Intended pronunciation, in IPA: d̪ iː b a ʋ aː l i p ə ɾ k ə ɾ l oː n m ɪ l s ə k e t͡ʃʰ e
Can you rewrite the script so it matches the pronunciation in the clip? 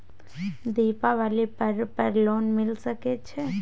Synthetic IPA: d̪ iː p a ʋ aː l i p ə ɾ p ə ɾ l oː n m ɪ l s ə k e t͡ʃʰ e